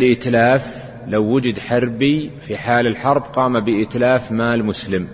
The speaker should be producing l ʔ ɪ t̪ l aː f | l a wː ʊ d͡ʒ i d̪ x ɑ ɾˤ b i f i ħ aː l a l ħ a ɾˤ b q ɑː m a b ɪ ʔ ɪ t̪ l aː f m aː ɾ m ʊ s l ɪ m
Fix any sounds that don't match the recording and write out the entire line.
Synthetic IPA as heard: l ʔ ɪ t̪ l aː f | l a wː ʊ d͡ʒ ɪ d̪ ħ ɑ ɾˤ b i f i ħ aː l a l ħ ɑ ɾˤ b q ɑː m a b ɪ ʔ ɪ t̪ l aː f m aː l m ʊ s l ɪ m